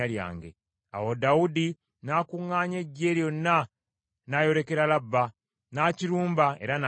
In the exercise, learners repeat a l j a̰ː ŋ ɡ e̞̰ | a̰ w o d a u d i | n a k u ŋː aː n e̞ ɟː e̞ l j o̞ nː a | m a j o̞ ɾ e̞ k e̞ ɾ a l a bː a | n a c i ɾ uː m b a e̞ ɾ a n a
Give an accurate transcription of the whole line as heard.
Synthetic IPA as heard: a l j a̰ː ŋ ɡ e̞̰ | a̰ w o d a u d i | n a k u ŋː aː ɲ e̞ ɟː e̞ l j o̞ nː a | n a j o̞ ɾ e̞ k e̞ ɾ a l a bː a | n a c i ɾ uː m b a e̞ ɾ a n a